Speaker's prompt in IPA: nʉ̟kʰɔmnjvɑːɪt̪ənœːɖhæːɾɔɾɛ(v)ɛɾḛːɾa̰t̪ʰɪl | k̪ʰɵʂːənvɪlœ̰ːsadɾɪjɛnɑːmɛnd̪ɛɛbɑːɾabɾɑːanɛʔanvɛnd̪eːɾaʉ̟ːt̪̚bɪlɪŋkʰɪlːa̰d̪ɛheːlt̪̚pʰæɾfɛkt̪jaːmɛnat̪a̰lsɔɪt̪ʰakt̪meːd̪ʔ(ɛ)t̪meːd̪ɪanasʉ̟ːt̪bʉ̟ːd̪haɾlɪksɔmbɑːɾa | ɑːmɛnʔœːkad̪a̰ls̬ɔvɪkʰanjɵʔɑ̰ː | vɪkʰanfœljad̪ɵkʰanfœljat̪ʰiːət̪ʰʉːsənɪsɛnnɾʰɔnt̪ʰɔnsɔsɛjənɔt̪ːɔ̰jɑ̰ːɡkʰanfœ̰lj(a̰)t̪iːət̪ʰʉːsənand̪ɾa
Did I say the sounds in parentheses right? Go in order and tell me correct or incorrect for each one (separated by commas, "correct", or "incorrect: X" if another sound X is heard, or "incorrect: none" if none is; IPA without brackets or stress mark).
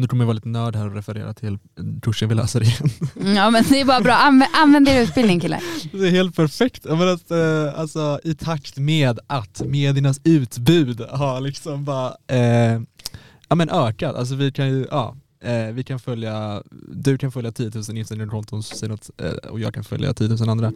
incorrect: f, incorrect: a, correct